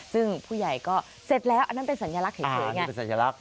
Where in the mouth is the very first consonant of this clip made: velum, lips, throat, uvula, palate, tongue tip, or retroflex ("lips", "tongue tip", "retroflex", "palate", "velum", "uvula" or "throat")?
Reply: tongue tip